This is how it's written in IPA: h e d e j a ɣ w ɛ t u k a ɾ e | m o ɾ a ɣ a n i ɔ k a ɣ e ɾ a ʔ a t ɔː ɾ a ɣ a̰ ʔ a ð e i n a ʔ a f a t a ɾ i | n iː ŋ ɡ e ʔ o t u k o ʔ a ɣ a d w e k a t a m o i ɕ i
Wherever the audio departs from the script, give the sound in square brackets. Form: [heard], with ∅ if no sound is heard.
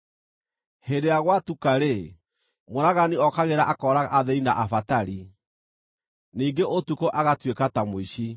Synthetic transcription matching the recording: h e d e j a ɣ w [a] t u k a ɾ e | m o ɾ a ɣ a n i ɔ k a ɣ e ɾ a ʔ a [k] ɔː ɾ a ɣ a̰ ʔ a ð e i n a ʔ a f a t a ɾ i | n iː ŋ ɡ e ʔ o t u k o ʔ a ɣ a [t] w e k a t a m o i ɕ i